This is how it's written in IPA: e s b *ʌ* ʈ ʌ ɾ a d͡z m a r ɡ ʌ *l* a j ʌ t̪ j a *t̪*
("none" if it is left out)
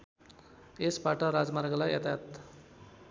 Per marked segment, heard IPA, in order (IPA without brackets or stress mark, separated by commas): a, l, t̪